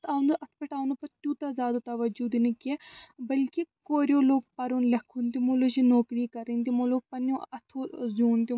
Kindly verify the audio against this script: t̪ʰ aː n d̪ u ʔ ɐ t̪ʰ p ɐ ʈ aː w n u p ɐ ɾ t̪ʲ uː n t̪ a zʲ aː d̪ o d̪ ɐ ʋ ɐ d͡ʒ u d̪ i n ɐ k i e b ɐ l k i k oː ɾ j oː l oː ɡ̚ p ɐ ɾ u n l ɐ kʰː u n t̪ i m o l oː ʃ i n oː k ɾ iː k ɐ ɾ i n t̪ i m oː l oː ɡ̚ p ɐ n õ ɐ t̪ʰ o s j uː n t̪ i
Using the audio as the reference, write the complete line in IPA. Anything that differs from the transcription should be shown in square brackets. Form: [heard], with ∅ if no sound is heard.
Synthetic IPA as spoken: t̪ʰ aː n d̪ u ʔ ɐ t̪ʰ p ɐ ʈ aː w n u p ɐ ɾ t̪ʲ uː [∅] t̪ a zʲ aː d̪ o [t̪] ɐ ʋ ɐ d͡ʒ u d̪ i n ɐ k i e b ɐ l k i k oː ɾ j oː l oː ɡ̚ p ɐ ɾ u n l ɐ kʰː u n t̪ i m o l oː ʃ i n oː k ɾ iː k ɐ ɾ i n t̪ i m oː l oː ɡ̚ p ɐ n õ ɐ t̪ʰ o [z] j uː n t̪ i